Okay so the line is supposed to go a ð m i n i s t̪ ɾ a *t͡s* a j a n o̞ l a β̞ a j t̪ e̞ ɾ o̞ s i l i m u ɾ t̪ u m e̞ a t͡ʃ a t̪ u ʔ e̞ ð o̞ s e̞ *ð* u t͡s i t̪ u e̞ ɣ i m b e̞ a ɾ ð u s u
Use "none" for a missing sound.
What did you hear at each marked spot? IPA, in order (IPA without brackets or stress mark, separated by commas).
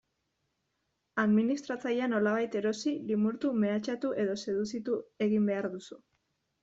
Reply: t͡s, ð